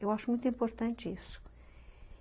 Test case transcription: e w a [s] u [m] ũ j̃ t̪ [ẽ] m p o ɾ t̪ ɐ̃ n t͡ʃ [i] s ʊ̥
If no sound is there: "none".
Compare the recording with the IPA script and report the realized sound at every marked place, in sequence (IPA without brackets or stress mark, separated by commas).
ʃ, m, ĩ, i